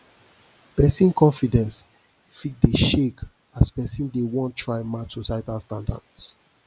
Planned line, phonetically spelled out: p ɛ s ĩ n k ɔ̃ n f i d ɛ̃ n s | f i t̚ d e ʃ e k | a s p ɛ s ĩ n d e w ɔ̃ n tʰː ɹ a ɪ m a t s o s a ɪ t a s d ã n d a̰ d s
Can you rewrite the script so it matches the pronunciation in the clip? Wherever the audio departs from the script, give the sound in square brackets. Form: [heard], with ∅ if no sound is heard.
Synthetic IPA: p ɛ s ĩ n k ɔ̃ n f i d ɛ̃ n s | f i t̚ d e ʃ e k | a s p ɛ s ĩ n d e w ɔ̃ n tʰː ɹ a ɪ m a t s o s a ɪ t a s [t] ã n d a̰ d s